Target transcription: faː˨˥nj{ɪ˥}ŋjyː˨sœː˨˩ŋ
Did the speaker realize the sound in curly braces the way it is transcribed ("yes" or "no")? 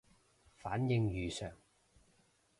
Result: no